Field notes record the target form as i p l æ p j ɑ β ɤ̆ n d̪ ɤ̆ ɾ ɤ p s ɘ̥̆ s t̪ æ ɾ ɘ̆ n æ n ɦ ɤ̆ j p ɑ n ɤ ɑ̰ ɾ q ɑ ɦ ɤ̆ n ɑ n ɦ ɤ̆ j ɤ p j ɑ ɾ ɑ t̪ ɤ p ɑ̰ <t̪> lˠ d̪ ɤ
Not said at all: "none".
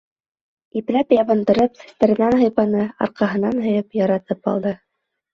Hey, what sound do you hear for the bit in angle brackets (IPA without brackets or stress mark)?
none